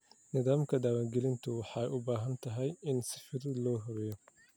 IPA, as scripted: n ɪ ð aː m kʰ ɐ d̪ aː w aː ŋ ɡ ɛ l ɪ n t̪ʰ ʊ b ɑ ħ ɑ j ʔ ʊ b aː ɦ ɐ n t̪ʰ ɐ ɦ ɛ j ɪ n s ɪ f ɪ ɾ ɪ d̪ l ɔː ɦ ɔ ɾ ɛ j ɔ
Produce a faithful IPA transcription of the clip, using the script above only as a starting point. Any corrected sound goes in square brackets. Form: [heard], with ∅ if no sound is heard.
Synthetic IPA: n ɪ ð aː m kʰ ɐ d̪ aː w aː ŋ ɡ ɛ l ɪ n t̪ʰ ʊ [w] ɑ ħ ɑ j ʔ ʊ b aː ɦ ɐ n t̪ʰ ɐ ɦ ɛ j ɪ n s ɪ f ɪ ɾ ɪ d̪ l ɔː ɦ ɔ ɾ ɛ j ɔ

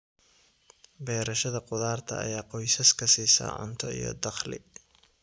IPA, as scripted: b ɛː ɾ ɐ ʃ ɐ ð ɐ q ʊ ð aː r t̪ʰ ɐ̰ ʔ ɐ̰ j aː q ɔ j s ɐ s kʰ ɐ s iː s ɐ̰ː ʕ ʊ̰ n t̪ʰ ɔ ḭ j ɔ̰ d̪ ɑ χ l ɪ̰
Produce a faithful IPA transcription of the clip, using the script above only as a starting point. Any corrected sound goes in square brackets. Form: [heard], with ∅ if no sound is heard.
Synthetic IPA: b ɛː ɾ ɐ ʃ ɐ ð ɐ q ʊ ð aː r t̪ʰ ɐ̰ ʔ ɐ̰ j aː q ɔ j s ɐ s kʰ ɐ s iː s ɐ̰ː ʕ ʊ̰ n t̪ʰ ɔ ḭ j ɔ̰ d̪ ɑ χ l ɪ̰

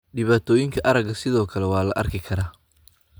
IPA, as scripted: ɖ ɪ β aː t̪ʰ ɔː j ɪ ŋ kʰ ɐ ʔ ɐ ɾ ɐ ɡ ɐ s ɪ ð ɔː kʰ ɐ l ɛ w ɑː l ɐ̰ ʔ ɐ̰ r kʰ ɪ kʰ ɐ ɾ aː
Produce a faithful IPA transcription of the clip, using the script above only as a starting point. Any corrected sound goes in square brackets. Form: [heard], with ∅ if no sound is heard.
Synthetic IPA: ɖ ɪ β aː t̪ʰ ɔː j ɪ ŋ kʰ ɐ ʔ ɐ ɾ ɐ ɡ ɐ s ɪ ð ɔː kʰ ɐ l ɛ w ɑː l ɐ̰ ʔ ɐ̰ r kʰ ɪ kʰ ɐ ɾ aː

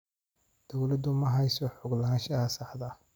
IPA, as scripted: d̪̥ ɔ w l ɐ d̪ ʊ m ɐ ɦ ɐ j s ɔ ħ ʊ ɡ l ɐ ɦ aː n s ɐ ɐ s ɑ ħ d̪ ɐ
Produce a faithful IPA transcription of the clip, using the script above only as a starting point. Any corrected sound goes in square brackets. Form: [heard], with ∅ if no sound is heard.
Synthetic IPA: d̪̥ ɔ w l ɐ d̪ ʊ m ɐ ɦ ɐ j s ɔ ħ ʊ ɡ l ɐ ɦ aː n [ʃ] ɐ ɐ s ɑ ħ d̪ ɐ

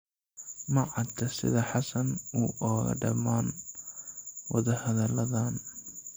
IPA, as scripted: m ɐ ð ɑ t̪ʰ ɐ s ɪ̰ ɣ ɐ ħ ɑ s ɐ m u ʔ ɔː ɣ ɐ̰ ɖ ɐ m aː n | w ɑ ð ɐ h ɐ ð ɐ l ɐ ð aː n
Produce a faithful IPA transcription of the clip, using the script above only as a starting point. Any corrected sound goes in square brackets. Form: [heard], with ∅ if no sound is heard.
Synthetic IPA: m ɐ [ʕ] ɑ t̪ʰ ɐ s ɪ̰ [ð] ɐ ħ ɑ s ɐ [n] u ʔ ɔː ɣ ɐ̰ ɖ ɐ m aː n | w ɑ ð ɐ h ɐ ð ɐ l ɐ ð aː n

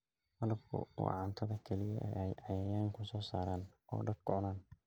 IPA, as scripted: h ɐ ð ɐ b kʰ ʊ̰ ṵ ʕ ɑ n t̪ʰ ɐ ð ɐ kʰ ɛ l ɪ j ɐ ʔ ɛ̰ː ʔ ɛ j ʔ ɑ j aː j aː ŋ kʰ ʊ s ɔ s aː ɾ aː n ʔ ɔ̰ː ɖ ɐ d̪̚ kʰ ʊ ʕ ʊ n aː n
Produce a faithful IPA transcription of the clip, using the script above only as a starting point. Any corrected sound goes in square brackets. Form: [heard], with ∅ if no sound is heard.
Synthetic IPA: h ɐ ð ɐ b kʰ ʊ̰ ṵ ʕ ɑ n t̪ʰ ɐ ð ɐ kʰ ɛ l ɪ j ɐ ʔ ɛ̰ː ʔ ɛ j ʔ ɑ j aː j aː ŋ kʰ ʊ s [ɔː] s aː ɾ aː n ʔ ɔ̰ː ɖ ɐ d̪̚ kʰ ʊ ʕ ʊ n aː n

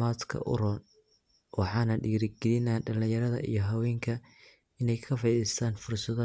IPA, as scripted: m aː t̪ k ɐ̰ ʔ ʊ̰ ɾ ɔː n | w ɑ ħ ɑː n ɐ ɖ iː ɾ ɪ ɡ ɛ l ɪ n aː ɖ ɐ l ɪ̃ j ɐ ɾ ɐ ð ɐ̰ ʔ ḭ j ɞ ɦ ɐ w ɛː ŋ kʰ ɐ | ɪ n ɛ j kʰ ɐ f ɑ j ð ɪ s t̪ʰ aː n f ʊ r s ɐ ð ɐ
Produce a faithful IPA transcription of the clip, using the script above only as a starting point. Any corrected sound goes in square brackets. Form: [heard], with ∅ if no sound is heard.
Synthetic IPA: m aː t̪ [kʰ] ɐ̰ ʔ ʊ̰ ɾ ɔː n | w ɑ ħ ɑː n ɐ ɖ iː ɾ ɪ ɡ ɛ l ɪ n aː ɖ ɐ l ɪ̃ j ɐ ɾ ɐ ð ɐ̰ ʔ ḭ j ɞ ɦ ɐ w ɛː ŋ kʰ ɐ | ɪ n ɛ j kʰ ɐ f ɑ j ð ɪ s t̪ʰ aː n f ʊ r s ɐ ð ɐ

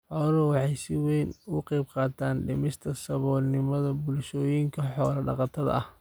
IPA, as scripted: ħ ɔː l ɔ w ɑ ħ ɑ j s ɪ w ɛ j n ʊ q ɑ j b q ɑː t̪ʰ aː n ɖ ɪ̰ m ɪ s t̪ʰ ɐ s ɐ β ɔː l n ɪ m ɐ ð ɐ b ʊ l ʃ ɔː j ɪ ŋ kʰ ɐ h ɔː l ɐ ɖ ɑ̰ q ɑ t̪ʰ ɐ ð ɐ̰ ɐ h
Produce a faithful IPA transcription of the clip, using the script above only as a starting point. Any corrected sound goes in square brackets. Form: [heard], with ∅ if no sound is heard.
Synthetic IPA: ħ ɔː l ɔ w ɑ ħ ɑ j s ɪ w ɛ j n ʊ q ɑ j b q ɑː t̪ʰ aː n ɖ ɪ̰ m ɪ s t̪ʰ ɐ s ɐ β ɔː l n ɪ m ɐ ð ɐ b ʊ l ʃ ɔː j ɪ ŋ kʰ ɐ [ħ] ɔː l ɐ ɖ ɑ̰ q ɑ t̪ʰ ɐ ð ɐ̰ ɐ h

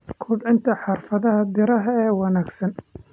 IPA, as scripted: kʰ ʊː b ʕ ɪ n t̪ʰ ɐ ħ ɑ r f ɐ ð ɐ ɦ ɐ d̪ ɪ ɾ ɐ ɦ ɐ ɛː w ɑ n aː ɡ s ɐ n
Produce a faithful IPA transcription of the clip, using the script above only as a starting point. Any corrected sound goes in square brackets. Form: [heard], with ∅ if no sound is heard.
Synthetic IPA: kʰ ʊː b ʕ ɪ n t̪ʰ ɐ ħ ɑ r f ɐ ð ɐ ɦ ɐ d̪ ɪ ɾ ɐ ɦ ɐ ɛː w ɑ n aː ɡ s ɐ n

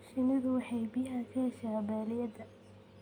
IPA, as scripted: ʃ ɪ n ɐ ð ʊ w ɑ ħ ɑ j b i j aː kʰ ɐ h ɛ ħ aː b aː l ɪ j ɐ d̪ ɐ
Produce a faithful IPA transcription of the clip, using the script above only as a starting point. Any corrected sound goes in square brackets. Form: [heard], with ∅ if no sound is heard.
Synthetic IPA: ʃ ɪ n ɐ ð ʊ w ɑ ħ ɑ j b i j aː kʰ ɐ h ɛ [ʃ] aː b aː l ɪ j ɐ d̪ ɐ

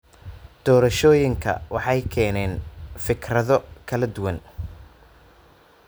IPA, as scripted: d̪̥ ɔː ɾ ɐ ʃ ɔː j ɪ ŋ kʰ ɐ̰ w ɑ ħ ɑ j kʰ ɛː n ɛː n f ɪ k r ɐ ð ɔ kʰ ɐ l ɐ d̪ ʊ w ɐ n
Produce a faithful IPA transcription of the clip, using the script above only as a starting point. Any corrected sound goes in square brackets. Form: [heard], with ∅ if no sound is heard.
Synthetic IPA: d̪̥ ɔː ɾ ɐ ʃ ɔː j ɪ ŋ kʰ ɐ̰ w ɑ ħ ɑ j kʰ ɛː n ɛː n f ɪ k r ɐ ð ɔ kʰ ɐ l ɐ d̪ ʊ w ɐ n

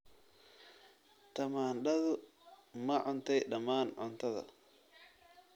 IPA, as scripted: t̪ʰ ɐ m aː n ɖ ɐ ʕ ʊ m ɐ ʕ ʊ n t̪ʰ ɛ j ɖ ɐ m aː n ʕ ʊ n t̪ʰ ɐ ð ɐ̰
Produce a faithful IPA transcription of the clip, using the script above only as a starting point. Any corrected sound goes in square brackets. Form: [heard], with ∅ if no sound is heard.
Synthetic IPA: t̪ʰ ɐ m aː n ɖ ɐ [ð] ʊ m ɐ ʕ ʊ n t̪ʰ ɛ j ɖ ɐ m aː n ʕ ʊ n t̪ʰ ɐ ð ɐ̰

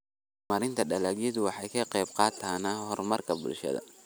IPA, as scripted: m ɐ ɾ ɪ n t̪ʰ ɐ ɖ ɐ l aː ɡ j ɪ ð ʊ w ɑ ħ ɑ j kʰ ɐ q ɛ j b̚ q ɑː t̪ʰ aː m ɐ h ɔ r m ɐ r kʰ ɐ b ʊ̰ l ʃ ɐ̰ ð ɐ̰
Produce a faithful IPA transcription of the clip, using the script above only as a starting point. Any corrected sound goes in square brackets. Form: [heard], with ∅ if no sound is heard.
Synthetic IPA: m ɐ ɾ ɪ n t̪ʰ ɐ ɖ ɐ l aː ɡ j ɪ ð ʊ w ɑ ħ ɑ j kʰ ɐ q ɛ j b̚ q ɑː t̪ʰ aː [n] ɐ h ɔ r m ɐ r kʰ ɐ b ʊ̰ l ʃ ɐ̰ ð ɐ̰

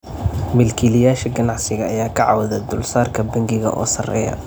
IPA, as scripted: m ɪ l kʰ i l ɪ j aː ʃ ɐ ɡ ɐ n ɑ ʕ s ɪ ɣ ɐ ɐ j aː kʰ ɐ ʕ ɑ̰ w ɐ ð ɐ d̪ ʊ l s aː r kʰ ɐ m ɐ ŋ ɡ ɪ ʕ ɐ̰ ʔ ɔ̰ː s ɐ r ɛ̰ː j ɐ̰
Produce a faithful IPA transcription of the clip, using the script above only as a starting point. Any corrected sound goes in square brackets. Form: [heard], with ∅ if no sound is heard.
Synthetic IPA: m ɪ l kʰ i l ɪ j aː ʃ ɐ ɡ ɐ n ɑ ʕ s ɪ ɣ ɐ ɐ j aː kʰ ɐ ʕ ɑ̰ w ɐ ð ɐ d̪ ʊ l s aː r kʰ ɐ [b] ɐ ŋ ɡ ɪ [ɣ] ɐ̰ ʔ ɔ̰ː s ɐ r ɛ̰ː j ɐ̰

